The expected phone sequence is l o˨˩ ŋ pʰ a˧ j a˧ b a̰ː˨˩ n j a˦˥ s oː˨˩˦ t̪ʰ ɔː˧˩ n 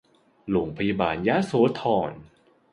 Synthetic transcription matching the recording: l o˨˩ ŋ pʰ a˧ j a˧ b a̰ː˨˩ n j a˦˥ s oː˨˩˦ t̪ʰ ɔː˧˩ n